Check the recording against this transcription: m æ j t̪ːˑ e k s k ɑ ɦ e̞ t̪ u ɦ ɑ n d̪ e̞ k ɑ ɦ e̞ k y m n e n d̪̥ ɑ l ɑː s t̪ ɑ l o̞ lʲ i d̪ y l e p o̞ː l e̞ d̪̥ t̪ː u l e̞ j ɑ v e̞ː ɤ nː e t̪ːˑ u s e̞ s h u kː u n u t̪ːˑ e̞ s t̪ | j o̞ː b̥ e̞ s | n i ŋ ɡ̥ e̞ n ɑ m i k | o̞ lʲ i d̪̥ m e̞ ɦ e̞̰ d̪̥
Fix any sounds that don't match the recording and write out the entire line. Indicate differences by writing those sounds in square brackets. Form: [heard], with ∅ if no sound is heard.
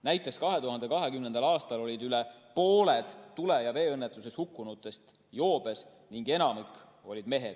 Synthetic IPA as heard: [n] æ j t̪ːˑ e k s k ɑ ɦ e̞ t̪ u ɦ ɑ n d̪ e̞ k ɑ ɦ e̞ k y m n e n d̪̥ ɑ l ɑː s t̪ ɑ l o̞ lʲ i d̪ y l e p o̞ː l e̞ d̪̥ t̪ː u l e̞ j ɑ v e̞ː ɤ nː e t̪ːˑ u s e̞ s h u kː u n u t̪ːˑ e̞ s t̪ | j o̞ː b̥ e̞ s | n i ŋ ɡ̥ e̞ n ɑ m i k | o̞ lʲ i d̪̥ m e̞ ɦ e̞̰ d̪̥